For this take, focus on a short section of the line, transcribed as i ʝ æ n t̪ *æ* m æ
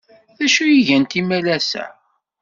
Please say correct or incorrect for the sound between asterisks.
incorrect